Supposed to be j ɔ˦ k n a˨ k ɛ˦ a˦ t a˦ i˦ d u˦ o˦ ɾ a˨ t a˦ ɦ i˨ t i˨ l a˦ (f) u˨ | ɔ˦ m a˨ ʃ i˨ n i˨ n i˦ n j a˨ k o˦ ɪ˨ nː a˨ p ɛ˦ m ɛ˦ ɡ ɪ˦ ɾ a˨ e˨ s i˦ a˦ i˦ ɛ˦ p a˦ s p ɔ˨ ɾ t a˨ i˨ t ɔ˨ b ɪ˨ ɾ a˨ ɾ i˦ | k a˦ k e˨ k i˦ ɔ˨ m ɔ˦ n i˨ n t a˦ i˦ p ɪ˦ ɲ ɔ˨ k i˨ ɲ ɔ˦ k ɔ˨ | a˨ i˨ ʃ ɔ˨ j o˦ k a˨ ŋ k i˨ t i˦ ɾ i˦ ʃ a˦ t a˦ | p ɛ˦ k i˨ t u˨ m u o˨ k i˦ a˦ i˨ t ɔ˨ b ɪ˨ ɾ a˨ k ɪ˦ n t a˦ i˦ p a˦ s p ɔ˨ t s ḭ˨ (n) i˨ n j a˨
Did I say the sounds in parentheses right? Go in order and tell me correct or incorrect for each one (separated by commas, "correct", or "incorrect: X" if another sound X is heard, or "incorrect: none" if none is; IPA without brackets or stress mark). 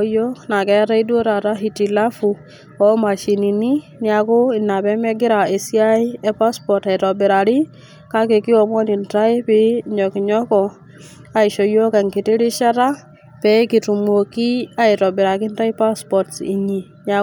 correct, incorrect: ɲ